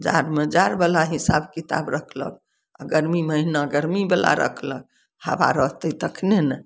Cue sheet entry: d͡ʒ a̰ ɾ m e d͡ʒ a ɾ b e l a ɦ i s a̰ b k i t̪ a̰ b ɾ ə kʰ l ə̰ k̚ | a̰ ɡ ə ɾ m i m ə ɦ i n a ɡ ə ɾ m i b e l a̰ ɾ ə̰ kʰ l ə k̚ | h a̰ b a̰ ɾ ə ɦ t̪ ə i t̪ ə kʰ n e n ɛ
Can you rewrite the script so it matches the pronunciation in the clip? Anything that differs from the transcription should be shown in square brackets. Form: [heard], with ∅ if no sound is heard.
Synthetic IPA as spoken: d͡ʒ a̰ ɾ m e d͡ʒ a ɾ b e l a ɦ i s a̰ b k i t̪ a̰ b ɾ ə kʰ l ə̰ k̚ | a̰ ɡ ə ɾ m i m ə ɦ i n a ɡ ə ɾ m i b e l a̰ ɾ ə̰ kʰ l ə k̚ | h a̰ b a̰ ɾ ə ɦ t̪ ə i t̪ ə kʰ n e n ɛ